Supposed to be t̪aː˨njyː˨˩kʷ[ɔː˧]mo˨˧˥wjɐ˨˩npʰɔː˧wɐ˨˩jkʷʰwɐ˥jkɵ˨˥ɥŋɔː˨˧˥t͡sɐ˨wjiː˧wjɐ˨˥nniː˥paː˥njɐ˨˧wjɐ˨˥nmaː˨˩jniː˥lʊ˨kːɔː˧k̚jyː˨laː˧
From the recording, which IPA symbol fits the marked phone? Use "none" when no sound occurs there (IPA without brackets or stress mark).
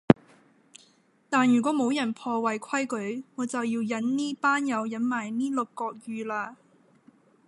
ɔː˨˥